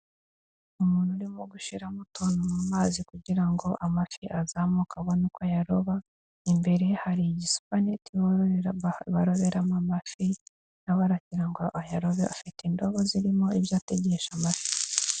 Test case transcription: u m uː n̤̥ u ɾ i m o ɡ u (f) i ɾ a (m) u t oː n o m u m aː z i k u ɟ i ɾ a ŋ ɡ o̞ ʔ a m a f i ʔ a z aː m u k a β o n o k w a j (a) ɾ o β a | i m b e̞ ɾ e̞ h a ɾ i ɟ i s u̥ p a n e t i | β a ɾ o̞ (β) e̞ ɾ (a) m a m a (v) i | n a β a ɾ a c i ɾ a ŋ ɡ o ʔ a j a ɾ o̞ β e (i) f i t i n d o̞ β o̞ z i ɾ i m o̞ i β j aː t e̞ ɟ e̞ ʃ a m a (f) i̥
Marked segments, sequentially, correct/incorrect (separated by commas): incorrect, correct, correct, correct, correct, incorrect, incorrect, correct